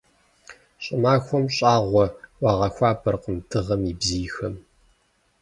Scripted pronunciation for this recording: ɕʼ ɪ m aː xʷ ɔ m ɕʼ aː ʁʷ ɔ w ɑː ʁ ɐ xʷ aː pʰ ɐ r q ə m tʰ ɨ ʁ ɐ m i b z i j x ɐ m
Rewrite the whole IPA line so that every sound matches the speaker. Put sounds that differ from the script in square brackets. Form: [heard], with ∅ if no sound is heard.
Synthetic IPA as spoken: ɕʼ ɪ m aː xʷ ɔ m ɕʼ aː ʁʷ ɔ w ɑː ʁ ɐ xʷ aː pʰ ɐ r q ə m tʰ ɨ ʁ ɐ m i b z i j x ɐ m